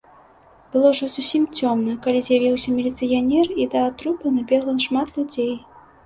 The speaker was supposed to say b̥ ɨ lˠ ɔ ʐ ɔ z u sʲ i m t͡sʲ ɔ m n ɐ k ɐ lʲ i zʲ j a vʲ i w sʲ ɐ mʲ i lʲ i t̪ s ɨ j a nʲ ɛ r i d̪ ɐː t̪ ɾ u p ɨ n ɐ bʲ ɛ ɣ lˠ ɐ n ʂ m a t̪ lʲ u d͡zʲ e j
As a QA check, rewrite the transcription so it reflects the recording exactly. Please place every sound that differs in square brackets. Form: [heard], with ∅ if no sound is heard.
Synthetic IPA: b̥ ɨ lˠ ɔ ʐ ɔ z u sʲ i m t͡sʲ ɔ m n ɐ k [a] lʲ i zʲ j a vʲ i w sʲ ɐ mʲ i lʲ i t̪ s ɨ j a nʲ ɛ r i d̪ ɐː t̪ ɾ u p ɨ n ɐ bʲ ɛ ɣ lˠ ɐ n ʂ m a t̪ lʲ u d͡zʲ e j